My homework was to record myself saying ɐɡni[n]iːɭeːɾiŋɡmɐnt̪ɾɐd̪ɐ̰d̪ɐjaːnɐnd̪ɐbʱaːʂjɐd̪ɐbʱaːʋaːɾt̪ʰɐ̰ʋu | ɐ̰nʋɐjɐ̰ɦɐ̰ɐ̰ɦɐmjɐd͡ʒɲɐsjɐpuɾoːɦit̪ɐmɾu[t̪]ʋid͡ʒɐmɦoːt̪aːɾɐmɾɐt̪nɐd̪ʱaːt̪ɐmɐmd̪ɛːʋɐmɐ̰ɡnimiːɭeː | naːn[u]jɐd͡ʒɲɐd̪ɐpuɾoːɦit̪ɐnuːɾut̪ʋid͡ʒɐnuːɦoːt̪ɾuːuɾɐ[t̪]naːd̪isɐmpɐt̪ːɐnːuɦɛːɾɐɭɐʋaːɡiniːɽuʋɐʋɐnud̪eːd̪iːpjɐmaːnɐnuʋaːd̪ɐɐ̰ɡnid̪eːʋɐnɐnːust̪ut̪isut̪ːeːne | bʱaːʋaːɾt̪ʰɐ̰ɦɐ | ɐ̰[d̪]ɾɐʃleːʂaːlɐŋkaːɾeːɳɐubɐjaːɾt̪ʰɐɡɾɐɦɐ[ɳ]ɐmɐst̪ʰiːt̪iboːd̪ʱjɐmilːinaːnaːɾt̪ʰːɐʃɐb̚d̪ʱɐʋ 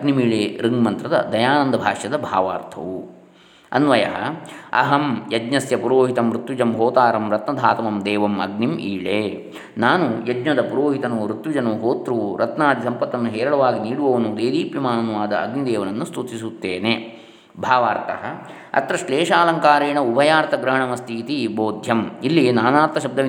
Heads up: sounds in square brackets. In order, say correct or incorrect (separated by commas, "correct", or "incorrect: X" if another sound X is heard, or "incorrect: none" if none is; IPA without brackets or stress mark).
incorrect: m, correct, correct, correct, incorrect: t̪, correct